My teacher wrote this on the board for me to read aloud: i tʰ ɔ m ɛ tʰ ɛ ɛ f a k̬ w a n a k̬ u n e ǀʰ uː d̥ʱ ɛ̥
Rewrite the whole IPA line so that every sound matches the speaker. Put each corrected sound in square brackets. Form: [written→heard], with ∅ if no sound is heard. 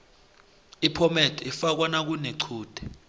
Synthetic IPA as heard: i [tʰ→pʰ] ɔ m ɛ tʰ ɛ [ɛ→i] f a k̬ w a n a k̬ u n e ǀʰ uː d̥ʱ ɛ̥